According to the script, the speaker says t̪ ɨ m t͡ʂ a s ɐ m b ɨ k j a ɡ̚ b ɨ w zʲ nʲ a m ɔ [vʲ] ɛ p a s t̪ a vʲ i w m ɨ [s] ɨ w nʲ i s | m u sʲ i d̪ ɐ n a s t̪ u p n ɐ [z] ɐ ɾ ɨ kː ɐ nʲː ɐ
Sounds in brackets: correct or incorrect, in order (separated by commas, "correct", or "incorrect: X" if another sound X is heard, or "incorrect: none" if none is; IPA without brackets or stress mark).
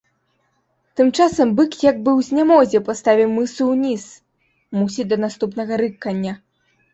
incorrect: zʲ, correct, incorrect: ɣ